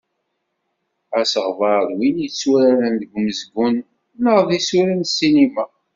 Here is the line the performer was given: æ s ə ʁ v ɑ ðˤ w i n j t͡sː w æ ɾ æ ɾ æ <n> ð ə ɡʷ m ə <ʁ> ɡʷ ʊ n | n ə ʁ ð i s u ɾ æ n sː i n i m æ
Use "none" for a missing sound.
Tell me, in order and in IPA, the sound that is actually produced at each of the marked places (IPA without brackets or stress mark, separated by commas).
n, z